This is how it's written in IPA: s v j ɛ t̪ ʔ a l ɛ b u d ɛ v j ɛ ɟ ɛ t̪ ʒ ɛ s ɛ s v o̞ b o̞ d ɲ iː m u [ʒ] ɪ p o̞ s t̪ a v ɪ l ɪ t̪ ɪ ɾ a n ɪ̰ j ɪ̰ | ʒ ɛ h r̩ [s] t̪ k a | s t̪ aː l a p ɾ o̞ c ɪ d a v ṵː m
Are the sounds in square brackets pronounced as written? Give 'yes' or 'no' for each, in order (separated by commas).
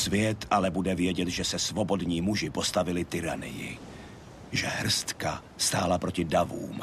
yes, yes